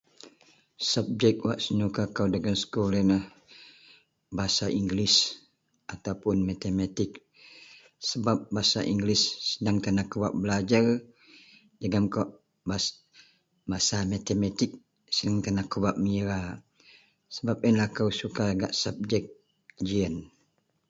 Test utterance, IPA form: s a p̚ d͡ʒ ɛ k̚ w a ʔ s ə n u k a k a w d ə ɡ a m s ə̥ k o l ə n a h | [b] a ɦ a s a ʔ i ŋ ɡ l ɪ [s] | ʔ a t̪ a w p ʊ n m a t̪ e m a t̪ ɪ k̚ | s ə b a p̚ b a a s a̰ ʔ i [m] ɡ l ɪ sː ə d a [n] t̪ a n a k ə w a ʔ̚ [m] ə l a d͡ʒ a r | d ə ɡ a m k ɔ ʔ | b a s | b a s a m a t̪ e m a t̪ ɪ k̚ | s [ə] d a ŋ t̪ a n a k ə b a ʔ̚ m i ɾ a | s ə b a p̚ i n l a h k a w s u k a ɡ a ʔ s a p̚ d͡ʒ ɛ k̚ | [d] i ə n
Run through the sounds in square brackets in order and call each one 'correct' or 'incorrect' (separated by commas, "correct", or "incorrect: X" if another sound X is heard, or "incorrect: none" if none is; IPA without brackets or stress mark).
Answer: correct, correct, incorrect: ŋ, incorrect: ŋ, incorrect: b, correct, incorrect: d͡ʒ